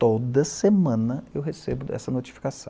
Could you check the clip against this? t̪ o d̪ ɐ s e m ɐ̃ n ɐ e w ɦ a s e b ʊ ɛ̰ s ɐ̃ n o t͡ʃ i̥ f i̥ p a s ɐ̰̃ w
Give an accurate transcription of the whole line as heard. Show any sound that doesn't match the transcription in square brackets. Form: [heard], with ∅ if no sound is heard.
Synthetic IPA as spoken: t̪ o d̪ ɐ s e m ɐ̃ n ɐ e w ɦ [e] s e b ʊ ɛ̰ s [ɐ] n o t͡ʃ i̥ f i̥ [k] a s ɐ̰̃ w